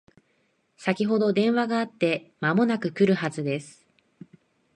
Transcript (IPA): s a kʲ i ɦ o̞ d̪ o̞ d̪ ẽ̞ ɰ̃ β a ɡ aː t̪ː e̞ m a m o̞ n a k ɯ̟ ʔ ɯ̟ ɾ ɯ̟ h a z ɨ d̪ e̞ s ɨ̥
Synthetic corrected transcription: s a kʲ i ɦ o̞ d̪ o̞ d̪ ẽ̞ ɰ̃ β a ɡ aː t̪ː e̞ m a m o̞ n a k ɯ̟ k ɯ̟ ɾ ɯ̟ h a z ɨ d̪ e̞ s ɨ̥